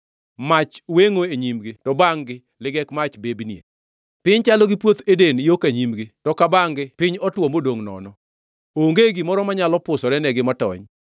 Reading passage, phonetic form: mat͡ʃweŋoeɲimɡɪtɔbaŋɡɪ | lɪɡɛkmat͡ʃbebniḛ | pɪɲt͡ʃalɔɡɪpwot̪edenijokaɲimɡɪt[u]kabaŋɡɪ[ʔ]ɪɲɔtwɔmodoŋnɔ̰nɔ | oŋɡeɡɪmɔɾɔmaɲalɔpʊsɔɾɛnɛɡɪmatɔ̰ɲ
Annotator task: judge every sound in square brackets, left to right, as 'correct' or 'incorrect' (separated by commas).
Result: incorrect, incorrect